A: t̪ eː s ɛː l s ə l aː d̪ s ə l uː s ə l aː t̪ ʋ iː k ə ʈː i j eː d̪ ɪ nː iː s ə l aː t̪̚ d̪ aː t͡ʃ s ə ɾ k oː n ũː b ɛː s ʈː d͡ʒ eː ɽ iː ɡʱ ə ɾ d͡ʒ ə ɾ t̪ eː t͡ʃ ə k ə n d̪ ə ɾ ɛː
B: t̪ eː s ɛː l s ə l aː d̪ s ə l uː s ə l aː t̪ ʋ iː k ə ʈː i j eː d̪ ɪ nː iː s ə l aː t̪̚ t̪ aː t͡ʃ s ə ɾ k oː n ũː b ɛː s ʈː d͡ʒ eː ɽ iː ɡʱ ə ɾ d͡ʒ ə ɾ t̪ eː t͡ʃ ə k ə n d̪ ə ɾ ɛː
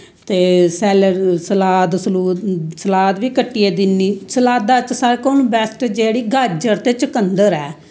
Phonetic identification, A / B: A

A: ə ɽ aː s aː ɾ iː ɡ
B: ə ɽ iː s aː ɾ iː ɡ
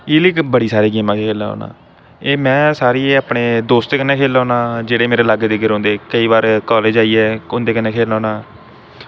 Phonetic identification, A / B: B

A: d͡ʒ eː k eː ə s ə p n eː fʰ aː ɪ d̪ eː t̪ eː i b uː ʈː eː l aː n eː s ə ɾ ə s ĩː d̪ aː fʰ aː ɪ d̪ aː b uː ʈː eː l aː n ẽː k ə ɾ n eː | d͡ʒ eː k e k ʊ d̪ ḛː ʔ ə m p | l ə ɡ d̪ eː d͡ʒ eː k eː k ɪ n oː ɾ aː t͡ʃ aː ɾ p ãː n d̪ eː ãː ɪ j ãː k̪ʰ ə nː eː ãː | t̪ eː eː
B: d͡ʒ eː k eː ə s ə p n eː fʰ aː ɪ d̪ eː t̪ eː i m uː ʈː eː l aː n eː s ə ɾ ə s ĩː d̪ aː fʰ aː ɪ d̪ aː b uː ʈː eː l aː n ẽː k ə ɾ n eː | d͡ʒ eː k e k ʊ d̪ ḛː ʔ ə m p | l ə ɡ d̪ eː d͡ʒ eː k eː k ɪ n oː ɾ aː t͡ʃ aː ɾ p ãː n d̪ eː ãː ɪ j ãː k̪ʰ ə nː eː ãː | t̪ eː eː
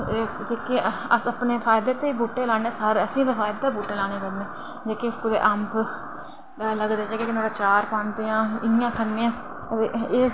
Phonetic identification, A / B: A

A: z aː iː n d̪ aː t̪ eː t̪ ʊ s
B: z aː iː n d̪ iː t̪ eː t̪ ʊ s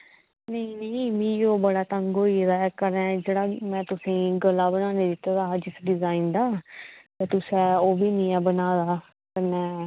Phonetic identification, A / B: A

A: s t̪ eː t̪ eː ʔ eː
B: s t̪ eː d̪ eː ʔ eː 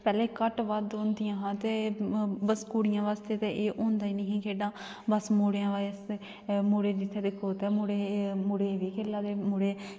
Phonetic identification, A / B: A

